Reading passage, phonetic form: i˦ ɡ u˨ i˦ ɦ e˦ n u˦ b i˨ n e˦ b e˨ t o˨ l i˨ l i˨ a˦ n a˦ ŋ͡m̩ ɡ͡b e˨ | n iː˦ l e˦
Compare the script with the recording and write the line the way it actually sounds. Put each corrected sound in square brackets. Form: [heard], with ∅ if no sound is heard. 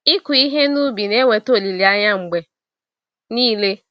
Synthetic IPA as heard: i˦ [k] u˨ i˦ ɦ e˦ n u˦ b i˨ n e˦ [w] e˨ t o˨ l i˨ l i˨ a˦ [ɲ] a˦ ŋ͡m̩ ɡ͡b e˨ | n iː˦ l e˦